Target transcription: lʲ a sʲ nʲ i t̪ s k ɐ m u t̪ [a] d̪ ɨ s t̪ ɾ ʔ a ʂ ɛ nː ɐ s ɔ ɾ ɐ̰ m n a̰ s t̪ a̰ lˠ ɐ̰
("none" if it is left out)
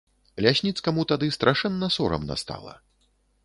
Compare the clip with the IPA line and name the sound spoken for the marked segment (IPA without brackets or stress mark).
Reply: a